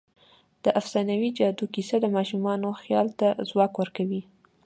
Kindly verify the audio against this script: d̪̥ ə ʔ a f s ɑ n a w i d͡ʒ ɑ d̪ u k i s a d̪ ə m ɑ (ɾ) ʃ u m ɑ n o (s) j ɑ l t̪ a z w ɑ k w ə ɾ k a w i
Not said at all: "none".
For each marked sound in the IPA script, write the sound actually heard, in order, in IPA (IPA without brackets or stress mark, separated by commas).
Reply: none, x